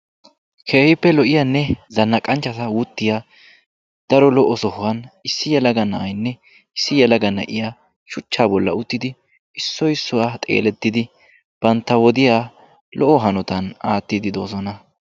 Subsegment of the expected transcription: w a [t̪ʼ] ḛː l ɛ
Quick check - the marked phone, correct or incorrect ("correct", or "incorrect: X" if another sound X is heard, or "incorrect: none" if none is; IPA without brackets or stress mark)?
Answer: correct